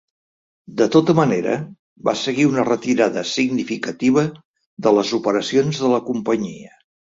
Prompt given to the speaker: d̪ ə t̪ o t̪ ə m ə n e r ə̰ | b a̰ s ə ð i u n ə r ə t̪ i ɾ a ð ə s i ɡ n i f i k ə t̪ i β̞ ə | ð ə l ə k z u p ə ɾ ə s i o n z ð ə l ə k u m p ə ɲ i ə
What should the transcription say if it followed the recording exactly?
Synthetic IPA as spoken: d̪ ə t̪ o t̪ ə m ə n e ɾ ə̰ | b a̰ s ə ɣ i u n ə r ə t̪ i ɾ a ð ə s i ɡ n i f i k ə t̪ i β̞ ə | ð ə l ə z u p ə ɾ ə s i o n z ð ə l ə k u m p ə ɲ i ə